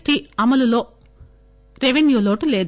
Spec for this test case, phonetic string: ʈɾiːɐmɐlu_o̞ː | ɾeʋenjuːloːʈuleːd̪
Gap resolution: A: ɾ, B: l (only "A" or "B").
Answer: B